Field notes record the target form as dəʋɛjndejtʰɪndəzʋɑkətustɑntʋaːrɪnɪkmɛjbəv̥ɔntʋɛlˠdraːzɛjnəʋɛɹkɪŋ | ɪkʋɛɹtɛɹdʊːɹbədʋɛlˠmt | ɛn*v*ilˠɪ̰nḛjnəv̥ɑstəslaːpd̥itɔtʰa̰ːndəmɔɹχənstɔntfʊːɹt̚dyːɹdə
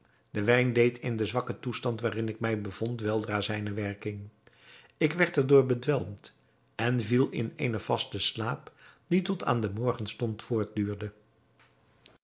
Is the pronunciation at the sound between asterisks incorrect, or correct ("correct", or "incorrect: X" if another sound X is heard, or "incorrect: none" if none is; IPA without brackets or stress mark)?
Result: correct